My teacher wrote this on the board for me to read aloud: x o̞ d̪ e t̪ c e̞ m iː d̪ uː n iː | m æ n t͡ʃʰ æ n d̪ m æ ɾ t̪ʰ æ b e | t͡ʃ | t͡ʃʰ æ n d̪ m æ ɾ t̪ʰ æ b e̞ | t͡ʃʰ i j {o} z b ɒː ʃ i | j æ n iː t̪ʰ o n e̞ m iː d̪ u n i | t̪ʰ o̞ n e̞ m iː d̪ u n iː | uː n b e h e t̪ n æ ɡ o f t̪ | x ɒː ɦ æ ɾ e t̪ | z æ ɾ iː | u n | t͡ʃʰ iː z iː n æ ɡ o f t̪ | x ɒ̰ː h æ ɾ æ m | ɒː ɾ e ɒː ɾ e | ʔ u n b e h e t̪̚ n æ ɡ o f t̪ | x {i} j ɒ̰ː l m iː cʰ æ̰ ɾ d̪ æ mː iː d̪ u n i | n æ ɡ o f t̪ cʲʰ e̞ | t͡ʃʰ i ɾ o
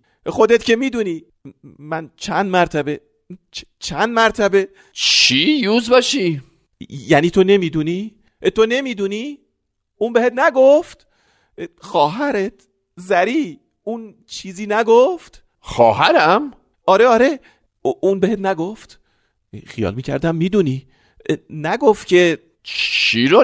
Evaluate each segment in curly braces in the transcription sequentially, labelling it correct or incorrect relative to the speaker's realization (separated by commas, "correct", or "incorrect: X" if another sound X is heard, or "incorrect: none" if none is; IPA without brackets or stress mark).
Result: incorrect: u, correct